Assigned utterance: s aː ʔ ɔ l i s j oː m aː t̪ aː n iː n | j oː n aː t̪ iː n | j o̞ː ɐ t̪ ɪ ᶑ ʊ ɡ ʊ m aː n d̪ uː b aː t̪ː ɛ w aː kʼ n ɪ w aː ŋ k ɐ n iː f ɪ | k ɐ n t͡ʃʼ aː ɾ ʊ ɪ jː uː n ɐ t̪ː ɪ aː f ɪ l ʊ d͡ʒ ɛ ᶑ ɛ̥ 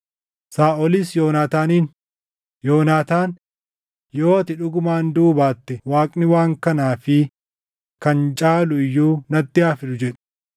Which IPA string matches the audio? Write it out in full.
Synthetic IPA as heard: s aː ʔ ɔ l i s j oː n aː t̪ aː n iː n | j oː n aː t̪ aː n | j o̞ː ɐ t̪ ɪ ᶑ ʊ ɡ ʊ m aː n d̪ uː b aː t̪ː ɛ w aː kʼ n ɪ w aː ŋ k ɐ n aː f ɪ | k ɐ n t͡ʃʼ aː l ʊ ɪ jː uː n ɐ t̪ː ɪ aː f ɪ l ʊ d͡ʒ ɛ ᶑ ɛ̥